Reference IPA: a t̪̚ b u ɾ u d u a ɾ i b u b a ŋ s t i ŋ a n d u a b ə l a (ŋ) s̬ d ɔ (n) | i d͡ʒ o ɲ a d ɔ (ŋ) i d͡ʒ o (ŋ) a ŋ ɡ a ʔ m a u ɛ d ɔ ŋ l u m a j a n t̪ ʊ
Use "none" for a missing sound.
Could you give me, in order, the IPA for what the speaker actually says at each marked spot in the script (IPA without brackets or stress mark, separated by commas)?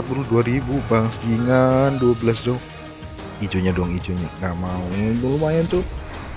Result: none, ŋ, ŋ, ɲ